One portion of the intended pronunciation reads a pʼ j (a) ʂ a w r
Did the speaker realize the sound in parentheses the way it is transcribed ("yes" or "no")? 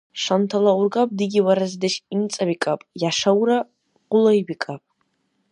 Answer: yes